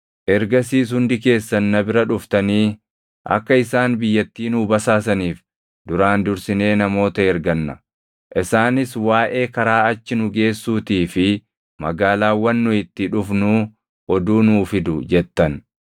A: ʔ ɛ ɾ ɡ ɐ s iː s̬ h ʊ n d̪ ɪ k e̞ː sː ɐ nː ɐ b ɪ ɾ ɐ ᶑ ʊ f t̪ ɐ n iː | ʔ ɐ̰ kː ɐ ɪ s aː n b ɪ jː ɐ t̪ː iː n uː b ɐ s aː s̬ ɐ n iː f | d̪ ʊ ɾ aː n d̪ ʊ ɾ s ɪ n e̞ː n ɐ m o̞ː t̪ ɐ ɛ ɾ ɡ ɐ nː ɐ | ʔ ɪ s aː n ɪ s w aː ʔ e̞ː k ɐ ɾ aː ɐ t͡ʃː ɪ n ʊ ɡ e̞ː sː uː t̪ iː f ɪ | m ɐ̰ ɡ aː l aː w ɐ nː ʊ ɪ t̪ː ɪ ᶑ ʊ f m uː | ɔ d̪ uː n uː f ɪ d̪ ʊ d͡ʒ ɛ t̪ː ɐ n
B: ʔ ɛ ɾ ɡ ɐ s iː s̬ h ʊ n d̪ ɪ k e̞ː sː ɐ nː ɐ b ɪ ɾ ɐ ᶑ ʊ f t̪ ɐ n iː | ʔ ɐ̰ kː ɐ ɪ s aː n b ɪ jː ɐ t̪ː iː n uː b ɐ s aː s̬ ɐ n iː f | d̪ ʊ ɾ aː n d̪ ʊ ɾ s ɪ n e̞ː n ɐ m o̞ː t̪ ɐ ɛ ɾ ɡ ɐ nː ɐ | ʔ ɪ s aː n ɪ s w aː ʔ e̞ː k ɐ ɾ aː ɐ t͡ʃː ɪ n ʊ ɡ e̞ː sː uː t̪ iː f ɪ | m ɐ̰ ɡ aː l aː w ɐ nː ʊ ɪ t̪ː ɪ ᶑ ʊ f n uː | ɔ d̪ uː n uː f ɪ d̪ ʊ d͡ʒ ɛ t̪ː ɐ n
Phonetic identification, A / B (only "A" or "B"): B